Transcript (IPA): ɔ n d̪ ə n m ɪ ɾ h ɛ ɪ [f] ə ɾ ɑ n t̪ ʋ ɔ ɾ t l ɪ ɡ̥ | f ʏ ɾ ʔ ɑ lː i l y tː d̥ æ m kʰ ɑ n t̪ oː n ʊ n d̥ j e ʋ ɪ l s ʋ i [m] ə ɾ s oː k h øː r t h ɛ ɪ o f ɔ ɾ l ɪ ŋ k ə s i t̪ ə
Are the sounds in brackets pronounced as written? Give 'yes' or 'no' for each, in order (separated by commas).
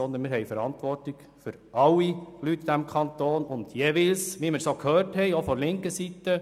yes, yes